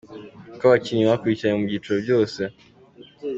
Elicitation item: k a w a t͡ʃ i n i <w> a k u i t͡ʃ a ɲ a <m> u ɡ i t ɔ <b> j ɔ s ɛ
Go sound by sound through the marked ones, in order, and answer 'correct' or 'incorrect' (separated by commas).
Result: correct, correct, incorrect